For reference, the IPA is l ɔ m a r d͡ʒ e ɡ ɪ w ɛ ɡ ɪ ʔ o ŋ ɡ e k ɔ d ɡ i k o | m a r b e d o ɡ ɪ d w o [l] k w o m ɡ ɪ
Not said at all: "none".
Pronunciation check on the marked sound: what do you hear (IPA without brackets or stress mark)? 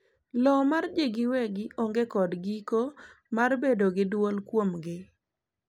l